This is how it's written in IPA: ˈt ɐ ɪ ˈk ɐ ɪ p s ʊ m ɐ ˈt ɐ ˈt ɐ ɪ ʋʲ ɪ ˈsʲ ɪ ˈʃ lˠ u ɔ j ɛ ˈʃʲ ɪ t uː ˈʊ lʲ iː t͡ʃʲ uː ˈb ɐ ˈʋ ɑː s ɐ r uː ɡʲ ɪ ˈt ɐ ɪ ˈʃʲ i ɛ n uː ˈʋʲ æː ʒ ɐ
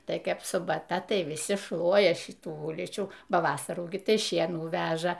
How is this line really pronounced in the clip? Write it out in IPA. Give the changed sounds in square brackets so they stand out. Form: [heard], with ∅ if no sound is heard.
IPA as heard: ˈt ɐ ɪ ˈk ɐ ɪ p s ʊ [b] ɐ ˈt ɐ ˈt ɐ ɪ ʋʲ ɪ ˈsʲ ɪ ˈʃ lˠ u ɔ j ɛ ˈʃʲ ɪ t uː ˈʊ lʲ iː t͡ʃʲ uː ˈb ɐ ˈʋ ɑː s ɐ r uː ɡʲ ɪ ˈt ɐ ɪ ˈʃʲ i ɛ n uː ˈʋʲ æː ʒ ɐ